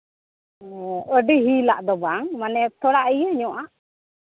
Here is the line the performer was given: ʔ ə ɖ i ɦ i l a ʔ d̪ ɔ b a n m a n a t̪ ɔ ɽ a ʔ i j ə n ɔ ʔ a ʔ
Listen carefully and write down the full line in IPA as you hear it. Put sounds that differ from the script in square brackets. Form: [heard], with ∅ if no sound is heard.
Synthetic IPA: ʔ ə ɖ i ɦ i l a ʔ d̪ ɔ b a [ŋ] m a n [ɛ] t̪ ɔ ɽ a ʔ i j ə [ɲ] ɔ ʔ a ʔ